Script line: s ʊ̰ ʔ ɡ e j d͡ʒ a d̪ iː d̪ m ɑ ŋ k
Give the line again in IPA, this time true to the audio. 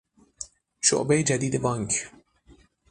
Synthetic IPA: ʃ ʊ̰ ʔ b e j d͡ʒ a d̪ iː d̪ b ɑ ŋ k